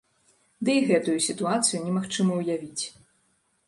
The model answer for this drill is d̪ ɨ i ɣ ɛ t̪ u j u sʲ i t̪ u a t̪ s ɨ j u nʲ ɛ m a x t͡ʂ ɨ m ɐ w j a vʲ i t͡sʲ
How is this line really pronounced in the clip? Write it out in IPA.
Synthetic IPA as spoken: d̪ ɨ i ɣ ɛ t̪ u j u sʲ i t̪ u a t̪ s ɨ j u nʲ ɛ m a x t͡ʂ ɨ m ɐ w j a vʲ i t͡sʲ